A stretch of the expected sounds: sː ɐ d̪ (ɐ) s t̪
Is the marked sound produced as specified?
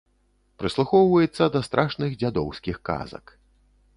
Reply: yes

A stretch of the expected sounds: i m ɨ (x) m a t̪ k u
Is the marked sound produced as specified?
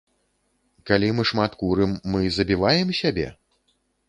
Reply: no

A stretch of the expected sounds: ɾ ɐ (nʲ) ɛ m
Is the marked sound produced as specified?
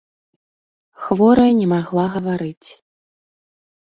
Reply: yes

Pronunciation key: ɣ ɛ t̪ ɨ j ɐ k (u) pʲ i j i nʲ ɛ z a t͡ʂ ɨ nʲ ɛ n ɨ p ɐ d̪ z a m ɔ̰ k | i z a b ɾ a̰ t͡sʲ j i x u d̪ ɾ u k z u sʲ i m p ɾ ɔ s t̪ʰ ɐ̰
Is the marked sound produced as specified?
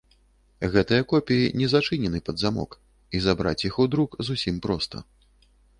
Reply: no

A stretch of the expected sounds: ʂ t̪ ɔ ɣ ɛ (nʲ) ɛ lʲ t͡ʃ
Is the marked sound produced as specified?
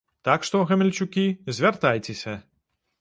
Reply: no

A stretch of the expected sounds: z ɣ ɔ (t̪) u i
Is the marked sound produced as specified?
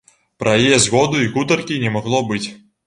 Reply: no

